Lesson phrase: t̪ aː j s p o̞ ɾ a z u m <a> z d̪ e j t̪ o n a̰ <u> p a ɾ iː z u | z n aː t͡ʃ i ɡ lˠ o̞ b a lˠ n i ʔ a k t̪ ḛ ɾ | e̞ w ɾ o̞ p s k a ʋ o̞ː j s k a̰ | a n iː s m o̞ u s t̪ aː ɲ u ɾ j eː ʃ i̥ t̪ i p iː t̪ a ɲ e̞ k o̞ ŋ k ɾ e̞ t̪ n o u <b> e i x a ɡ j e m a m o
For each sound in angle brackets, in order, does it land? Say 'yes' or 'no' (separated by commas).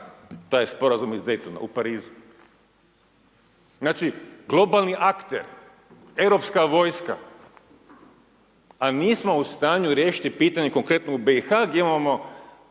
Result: no, yes, yes